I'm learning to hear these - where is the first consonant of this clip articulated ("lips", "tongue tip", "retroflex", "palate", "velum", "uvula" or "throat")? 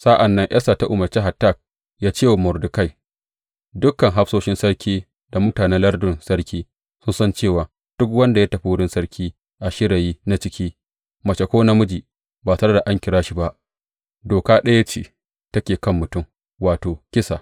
tongue tip